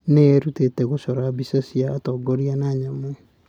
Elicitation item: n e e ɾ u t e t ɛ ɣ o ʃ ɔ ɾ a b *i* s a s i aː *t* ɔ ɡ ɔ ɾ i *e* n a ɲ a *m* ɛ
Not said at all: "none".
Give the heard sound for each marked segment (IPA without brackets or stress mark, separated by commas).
i, t, a, m